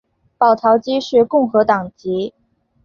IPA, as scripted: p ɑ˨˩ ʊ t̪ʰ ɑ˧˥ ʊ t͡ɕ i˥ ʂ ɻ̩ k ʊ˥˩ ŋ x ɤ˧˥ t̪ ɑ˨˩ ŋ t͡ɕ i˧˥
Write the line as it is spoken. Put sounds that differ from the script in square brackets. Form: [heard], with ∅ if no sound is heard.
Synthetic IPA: p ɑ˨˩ ʊ t̪ʰ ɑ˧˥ ʊ t͡ɕ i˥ ʂ ɻ̩ k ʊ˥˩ ŋ x ɤ˧˥ t̪ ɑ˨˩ ŋ t͡ɕ i˧˥